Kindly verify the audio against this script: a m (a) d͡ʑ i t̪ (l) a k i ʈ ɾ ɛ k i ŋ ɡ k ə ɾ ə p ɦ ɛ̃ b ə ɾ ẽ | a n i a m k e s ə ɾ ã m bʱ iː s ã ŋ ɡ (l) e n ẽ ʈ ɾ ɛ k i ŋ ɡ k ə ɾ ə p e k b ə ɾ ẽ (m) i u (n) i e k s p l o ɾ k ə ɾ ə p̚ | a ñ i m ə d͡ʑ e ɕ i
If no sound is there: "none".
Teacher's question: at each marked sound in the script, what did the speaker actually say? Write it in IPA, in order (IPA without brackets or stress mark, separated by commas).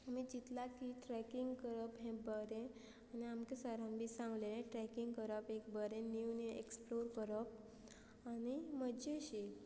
i, l, l, n, n